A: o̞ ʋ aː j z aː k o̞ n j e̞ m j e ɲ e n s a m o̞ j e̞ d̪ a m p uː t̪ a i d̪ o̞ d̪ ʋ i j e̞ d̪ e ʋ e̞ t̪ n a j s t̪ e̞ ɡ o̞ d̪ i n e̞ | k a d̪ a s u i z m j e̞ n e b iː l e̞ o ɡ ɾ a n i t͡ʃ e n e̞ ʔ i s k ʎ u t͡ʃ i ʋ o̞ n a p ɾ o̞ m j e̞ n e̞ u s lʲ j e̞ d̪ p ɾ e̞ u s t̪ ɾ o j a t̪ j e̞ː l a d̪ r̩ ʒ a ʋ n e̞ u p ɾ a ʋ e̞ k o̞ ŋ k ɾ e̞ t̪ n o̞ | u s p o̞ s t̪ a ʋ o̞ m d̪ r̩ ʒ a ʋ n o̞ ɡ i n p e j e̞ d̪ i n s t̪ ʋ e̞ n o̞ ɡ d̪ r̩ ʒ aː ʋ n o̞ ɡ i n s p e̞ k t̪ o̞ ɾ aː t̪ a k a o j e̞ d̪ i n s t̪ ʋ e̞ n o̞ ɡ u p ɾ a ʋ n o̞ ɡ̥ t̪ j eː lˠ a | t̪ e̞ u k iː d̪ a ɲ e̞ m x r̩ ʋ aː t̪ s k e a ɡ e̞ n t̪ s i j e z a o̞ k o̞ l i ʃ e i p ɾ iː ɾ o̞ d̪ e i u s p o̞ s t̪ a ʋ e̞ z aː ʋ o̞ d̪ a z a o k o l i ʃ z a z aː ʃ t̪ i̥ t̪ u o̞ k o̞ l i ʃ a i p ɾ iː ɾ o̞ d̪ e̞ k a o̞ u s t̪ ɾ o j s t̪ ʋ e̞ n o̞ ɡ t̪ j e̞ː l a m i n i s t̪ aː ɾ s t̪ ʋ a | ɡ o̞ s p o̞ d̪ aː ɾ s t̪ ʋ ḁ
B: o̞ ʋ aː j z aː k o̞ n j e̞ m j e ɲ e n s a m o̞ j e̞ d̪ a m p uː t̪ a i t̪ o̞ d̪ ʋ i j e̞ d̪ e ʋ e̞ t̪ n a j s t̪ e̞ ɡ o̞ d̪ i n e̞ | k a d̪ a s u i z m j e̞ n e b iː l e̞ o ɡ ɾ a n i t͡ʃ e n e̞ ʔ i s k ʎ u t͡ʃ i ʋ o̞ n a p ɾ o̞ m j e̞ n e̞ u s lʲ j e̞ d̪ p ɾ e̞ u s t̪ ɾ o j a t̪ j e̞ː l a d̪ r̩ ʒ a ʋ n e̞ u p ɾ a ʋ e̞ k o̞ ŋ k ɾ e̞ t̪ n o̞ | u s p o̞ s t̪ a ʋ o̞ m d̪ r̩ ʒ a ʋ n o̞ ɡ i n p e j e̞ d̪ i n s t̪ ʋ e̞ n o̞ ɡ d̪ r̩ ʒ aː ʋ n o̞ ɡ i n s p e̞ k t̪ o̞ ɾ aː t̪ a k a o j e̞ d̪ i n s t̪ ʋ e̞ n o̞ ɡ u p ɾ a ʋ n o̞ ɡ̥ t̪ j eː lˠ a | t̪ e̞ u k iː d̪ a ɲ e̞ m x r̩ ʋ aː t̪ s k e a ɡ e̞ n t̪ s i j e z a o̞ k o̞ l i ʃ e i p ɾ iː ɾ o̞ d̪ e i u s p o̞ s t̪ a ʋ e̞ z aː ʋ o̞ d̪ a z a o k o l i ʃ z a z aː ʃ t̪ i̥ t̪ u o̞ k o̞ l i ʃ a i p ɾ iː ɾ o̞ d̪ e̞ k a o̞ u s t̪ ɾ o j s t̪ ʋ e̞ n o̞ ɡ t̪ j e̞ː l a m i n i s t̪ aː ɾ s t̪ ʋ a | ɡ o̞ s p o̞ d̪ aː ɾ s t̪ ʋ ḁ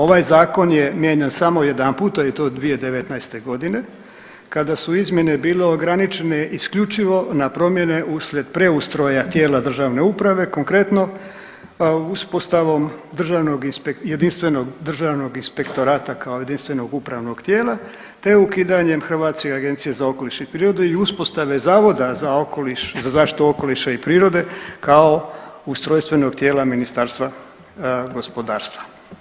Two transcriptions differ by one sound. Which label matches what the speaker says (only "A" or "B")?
B